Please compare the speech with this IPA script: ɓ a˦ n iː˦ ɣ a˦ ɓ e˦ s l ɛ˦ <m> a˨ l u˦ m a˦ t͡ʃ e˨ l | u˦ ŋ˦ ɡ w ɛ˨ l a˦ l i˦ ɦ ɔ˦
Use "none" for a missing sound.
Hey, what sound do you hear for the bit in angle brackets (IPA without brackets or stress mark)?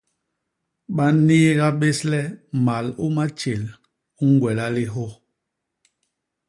m